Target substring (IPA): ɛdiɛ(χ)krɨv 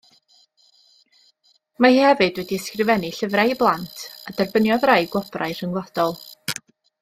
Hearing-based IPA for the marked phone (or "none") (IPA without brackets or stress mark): s